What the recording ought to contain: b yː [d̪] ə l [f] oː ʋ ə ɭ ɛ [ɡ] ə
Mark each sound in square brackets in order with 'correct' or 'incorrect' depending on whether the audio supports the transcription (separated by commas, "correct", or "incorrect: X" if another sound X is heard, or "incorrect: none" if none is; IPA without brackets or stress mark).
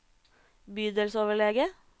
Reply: correct, incorrect: s, correct